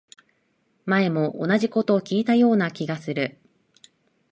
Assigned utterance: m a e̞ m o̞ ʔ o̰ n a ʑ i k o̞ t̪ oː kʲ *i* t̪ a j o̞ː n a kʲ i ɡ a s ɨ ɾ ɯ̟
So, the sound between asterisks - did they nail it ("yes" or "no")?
no